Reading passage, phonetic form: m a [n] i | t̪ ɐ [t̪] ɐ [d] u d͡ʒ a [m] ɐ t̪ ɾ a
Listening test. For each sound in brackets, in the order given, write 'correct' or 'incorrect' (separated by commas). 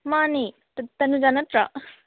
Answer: correct, correct, incorrect, incorrect